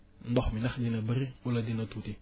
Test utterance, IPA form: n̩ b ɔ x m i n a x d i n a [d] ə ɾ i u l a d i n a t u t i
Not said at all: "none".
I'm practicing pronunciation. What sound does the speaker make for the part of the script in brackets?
b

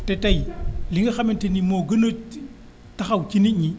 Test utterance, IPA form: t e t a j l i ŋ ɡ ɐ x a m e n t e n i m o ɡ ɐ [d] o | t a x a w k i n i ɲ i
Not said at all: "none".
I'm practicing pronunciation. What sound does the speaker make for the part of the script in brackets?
n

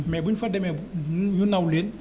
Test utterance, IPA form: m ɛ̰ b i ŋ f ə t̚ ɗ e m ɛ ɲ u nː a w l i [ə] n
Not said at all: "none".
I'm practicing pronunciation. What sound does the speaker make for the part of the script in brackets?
ə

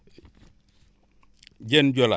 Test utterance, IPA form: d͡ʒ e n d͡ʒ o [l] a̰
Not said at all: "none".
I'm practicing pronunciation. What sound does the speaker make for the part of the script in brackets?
l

